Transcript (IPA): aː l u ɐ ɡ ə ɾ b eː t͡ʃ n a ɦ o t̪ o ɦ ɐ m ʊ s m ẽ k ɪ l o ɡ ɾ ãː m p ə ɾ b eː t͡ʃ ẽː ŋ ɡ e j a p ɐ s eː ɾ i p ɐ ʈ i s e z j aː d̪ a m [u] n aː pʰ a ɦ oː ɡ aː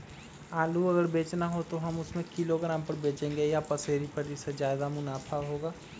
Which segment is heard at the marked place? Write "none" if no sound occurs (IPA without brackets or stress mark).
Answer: ʊ